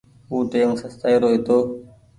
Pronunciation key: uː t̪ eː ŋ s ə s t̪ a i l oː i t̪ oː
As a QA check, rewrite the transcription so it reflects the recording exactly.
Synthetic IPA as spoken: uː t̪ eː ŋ s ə s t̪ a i ɾ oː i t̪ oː